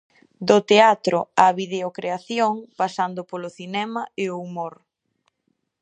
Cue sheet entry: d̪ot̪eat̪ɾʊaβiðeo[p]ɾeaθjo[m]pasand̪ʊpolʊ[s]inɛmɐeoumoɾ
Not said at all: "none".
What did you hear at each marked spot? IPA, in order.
k, ŋ, θ

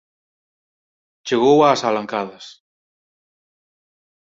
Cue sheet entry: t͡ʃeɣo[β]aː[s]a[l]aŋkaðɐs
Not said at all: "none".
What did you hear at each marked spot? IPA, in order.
w, s, l

